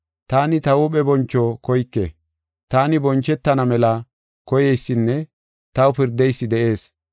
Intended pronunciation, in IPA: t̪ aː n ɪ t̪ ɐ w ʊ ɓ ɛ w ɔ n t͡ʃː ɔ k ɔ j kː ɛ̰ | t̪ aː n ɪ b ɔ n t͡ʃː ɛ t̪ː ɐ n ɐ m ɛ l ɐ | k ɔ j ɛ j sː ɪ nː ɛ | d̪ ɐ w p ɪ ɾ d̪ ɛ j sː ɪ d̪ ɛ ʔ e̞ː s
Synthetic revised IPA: t̪ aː n ɪ t̪ ɐ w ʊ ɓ ɛ b ɔ n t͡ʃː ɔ k ɔ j kː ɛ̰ | t̪ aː n ɪ b ɔ n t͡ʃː ɛ t̪ː ɐ n ɐ m ɛ l ɐ | k ɔ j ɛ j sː ɪ nː ɛ | t̪ ɐ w p ɪ ɾ d̪ ɛ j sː ɪ d̪ ɛ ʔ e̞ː s